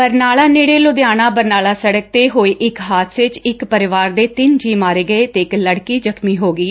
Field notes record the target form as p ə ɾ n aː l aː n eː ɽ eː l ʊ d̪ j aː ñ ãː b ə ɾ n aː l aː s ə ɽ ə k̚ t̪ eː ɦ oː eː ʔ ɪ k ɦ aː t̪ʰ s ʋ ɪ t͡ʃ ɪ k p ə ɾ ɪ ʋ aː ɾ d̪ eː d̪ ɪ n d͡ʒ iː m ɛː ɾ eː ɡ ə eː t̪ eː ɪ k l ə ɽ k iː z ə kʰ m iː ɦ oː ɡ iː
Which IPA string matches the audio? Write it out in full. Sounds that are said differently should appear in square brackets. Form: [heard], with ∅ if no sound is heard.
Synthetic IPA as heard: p ə ɾ n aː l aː n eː ɽ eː l ʊ d̪ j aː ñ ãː b ə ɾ n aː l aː s ə ɽ ə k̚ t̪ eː ɦ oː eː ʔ ɪ k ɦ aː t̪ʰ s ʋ ɪ t͡ʃ ɪ k p ə ɾ ɪ ʋ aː ɾ d̪ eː [t̪] ɪ n d͡ʒ iː m [aː] ɾ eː ɡ ə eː t̪ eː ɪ k l ə ɽ k iː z ə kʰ m iː ɦ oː ɡ iː